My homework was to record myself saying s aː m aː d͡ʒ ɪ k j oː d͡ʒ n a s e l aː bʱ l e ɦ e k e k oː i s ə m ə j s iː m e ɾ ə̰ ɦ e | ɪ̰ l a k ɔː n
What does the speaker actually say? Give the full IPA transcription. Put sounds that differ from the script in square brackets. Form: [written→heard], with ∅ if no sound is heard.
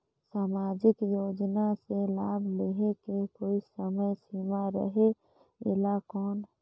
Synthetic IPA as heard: s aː m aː d͡ʒ ɪ k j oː d͡ʒ n a s e l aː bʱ l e ɦ e k e k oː i s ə m ə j s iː m [e→a] ɾ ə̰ ɦ e | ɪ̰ l a k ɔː n